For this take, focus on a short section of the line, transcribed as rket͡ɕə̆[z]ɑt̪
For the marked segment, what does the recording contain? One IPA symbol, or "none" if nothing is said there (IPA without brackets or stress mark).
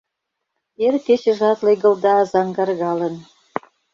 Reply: ʒ